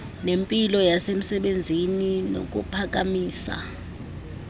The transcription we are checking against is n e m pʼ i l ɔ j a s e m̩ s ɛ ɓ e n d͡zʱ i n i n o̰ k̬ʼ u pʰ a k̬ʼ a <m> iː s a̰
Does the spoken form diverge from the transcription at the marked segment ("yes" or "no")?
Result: no